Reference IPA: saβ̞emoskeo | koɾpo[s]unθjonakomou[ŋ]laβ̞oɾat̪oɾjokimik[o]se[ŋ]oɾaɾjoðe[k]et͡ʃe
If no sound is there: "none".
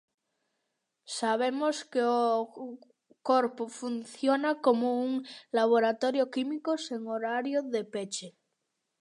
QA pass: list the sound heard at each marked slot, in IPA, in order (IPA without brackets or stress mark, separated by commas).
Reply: f, ŋ, o, ŋ, p